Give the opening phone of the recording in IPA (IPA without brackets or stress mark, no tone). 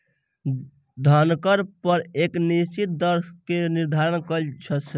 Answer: d̪ʱ